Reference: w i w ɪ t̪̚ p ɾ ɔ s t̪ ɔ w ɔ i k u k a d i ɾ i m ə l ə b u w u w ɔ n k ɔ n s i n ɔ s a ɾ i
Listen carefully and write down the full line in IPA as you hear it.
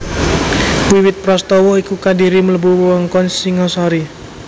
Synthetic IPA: w i w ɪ t̪̚ p ɾ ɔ s t̪ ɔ w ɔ i k u k a d i ɾ i m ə l ə b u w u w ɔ ŋ k ɔ n s i ŋ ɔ s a ɾ i